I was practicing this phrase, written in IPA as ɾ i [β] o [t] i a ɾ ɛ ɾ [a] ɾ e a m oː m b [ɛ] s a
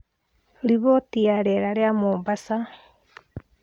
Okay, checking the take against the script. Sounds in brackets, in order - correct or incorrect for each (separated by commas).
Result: correct, correct, correct, incorrect